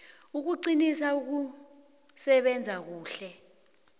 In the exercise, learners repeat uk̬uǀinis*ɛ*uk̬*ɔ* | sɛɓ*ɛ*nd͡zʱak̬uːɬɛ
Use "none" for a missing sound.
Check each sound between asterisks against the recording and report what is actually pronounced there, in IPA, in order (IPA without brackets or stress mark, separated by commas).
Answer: a, u, ɛ